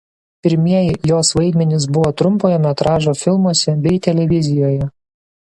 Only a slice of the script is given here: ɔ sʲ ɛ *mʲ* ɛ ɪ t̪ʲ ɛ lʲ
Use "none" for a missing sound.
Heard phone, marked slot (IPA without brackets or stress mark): bʲ